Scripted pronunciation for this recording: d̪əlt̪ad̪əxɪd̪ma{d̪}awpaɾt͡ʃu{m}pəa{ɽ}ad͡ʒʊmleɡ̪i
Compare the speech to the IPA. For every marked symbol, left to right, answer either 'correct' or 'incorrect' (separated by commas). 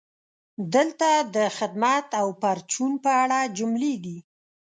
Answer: incorrect, incorrect, correct